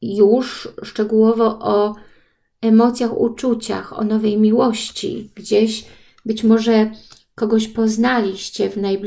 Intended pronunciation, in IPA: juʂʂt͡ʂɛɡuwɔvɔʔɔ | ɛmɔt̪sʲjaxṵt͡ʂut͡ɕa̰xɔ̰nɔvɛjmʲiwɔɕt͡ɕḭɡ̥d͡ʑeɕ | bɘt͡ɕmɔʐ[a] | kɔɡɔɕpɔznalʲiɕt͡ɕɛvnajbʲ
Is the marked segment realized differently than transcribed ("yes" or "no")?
yes